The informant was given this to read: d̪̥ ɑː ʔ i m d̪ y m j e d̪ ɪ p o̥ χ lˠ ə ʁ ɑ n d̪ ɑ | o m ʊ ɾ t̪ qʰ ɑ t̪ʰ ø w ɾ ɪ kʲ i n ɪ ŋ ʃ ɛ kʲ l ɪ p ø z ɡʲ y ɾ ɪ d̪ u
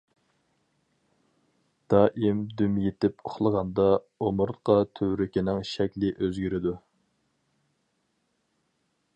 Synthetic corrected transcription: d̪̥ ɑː ʔ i m d̪ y m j e t̪ ɪ p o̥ χ lˠ ə ʁ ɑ n d̪ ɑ | o m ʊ ɾ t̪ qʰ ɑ t̪ʰ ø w ɾ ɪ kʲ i n ɪ ŋ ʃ ɛ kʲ l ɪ ʔ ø z ɡʲ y ɾ ɪ d̪ u